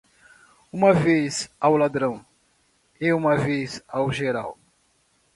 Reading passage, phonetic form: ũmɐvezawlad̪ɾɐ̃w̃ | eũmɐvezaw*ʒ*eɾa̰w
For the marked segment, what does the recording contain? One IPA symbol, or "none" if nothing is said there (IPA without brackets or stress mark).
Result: ʒ